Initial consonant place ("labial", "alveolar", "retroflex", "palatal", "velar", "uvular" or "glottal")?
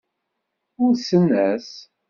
alveolar